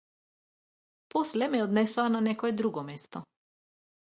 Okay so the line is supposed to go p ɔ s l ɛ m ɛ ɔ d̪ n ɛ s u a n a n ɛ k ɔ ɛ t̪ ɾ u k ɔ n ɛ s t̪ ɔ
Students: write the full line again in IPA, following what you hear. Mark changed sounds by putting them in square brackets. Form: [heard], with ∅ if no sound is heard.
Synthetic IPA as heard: p ɔ s l ɛ m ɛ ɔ d̪ n ɛ s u a n a n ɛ k ɔ ɛ [d̪] ɾ u [ɡ] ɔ [m] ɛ s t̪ ɔ